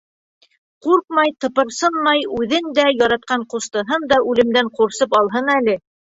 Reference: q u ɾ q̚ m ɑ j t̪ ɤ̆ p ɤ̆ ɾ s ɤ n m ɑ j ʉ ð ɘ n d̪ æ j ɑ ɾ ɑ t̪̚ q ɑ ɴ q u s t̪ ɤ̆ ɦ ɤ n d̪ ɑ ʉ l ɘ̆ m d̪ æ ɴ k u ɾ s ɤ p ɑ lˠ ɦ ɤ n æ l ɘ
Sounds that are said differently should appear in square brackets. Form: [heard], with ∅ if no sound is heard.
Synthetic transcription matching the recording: q u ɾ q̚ m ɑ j t̪ ɤ̆ p ɤ̆ ɾ s ɤ n m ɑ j ʉ ð ɘ n d̪ æ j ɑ ɾ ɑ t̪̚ q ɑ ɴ q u s t̪ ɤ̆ ɦ ɤ n d̪ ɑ ʉ l ɘ̆ m d̪ æ ɴ [q] u ɾ s ɤ p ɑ lˠ ɦ ɤ n æ l ɘ